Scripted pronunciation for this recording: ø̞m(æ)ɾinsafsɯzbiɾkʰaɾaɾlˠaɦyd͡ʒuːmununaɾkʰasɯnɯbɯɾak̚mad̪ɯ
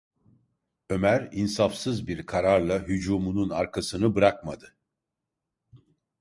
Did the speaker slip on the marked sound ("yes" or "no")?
no